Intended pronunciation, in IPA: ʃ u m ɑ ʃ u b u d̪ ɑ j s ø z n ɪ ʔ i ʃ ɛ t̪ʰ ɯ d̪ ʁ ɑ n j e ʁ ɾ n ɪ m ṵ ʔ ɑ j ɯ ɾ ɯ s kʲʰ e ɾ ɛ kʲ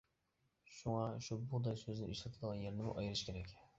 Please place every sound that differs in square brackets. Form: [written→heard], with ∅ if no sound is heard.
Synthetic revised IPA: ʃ u [m→ŋ] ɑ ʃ u b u d̪ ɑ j s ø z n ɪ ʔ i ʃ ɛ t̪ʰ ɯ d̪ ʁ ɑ n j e [ʁ→∅] ɾ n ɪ m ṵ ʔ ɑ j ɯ ɾ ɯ [s→ʃ] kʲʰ e ɾ ɛ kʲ